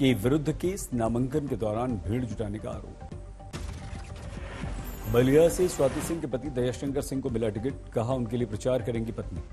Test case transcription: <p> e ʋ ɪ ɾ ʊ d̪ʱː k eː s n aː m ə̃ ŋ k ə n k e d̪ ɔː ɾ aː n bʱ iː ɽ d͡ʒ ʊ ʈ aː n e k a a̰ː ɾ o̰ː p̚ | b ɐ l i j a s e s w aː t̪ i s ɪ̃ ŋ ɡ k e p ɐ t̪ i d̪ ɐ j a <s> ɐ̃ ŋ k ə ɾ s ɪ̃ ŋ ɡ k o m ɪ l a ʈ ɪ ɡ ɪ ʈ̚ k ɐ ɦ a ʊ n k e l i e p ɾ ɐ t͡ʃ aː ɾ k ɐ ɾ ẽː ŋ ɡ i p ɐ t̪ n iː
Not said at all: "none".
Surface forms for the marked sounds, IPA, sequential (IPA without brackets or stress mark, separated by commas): k, ʃ